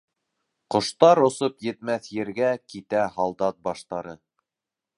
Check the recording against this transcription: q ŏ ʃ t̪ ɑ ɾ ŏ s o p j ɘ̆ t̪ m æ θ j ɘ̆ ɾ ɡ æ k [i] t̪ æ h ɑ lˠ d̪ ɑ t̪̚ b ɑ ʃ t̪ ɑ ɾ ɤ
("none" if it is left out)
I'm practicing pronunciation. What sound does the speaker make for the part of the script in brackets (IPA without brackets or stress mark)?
i